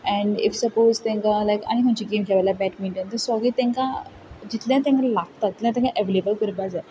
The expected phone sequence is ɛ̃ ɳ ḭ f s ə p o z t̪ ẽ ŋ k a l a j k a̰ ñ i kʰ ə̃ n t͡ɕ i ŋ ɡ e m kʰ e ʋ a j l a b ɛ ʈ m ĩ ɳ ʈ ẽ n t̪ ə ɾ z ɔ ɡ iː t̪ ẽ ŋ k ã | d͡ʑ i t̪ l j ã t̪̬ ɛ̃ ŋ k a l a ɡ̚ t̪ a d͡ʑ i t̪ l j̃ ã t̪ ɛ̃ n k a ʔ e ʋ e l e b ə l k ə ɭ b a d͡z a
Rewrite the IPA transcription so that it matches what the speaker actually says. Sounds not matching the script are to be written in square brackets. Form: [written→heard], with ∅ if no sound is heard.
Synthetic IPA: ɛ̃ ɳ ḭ f s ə p o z t̪ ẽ ŋ k a l a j k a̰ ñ i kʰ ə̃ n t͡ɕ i [ŋ→∅] ɡ e m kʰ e ʋ a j l a b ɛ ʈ m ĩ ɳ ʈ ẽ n t̪ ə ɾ [z→s] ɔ ɡ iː t̪ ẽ ŋ k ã | d͡ʑ i t̪ l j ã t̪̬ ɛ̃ ŋ k a l a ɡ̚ t̪ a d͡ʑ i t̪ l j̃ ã t̪ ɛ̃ [n→ŋ] k a ʔ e ʋ e l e b ə l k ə [ɭ→ɾ] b a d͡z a